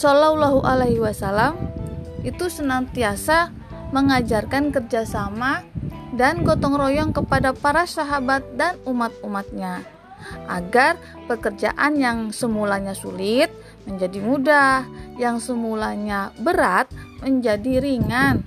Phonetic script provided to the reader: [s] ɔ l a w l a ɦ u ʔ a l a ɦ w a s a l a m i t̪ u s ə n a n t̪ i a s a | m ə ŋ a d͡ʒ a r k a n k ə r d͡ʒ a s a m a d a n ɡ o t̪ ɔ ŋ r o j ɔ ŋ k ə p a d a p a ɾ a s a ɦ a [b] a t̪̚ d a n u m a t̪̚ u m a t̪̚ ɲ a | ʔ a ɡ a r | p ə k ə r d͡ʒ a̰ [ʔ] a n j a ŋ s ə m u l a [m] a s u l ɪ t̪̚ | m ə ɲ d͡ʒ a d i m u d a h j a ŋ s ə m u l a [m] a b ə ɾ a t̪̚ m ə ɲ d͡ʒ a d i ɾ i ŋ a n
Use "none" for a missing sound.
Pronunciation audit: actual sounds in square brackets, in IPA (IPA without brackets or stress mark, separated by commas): s, b, ʔ, ɲ, ɲ